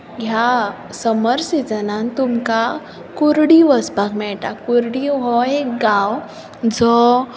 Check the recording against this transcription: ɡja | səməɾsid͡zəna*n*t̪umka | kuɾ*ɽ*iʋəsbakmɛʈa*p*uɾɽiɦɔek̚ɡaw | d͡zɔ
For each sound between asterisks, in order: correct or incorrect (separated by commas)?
correct, correct, incorrect